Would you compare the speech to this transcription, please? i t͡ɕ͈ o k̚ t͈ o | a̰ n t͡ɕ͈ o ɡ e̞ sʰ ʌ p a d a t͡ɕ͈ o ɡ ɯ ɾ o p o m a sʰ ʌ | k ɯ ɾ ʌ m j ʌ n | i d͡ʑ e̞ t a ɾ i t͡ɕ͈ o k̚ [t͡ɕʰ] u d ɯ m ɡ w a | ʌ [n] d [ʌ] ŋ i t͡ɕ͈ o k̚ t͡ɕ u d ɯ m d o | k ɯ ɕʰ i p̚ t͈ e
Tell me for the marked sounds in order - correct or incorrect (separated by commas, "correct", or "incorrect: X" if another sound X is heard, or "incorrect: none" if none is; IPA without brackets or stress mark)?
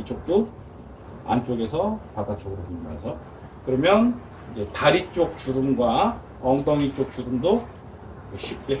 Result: incorrect: t͡ɕ, incorrect: ŋ, correct